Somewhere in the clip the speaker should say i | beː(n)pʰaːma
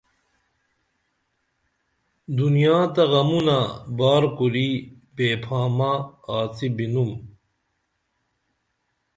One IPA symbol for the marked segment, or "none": none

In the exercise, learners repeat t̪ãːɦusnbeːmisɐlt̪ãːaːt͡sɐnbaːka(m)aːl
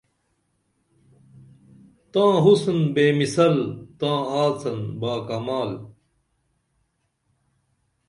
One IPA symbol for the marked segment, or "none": m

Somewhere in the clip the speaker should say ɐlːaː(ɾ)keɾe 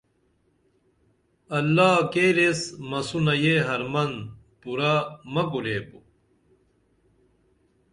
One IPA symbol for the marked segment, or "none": none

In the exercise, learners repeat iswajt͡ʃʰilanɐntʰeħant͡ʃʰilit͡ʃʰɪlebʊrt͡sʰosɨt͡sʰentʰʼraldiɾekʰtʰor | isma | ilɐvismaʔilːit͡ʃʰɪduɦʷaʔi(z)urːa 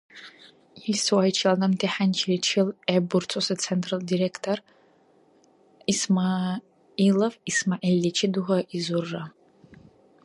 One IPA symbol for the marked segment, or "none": z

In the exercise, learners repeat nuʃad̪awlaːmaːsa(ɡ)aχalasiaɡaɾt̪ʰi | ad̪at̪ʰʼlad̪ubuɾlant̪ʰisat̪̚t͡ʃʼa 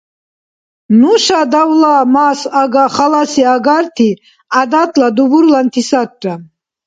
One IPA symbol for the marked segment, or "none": ɡ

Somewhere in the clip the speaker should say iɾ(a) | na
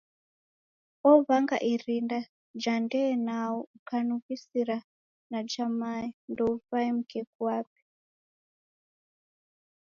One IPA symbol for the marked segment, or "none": a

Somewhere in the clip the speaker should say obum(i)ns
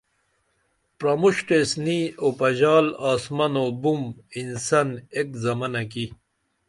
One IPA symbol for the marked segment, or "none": i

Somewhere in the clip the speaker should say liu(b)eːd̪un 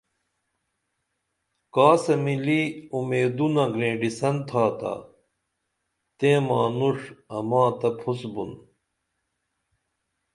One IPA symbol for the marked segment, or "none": m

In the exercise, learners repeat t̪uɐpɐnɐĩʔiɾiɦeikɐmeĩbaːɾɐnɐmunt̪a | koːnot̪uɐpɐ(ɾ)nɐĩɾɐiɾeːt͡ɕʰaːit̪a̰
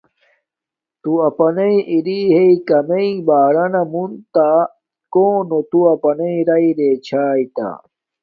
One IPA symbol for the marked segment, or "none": none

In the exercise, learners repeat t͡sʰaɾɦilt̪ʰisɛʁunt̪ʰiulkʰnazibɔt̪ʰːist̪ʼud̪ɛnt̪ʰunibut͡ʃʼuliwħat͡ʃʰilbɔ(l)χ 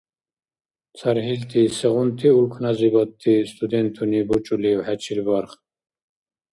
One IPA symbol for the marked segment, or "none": ɾ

